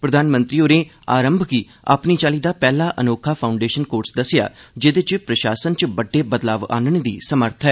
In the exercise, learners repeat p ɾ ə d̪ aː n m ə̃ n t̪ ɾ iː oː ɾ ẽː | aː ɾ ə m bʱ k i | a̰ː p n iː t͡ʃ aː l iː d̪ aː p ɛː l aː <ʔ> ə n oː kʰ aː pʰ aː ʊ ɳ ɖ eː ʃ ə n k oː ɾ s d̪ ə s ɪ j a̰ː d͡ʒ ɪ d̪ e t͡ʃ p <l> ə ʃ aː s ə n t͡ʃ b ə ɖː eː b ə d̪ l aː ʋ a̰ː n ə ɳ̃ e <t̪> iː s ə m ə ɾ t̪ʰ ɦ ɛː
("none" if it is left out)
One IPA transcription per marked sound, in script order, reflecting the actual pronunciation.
ʔ, ɾ, d̪

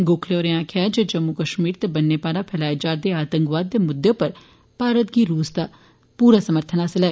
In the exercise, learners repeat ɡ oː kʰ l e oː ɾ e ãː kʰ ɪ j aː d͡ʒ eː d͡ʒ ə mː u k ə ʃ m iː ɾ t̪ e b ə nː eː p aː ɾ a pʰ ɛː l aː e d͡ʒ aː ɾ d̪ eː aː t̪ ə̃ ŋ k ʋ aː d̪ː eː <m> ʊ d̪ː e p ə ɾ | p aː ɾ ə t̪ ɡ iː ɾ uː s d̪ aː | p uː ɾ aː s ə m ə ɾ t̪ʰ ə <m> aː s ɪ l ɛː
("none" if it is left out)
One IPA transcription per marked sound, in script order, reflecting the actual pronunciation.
m, n

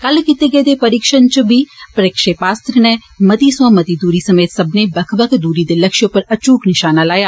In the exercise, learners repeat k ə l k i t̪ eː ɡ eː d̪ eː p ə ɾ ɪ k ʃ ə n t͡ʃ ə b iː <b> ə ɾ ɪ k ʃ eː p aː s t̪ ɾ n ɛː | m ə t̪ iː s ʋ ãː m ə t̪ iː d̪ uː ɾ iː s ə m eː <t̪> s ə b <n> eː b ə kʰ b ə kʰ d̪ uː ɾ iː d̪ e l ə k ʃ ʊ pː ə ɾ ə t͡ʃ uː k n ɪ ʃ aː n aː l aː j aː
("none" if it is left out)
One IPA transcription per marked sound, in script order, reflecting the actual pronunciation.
p, t̪, n

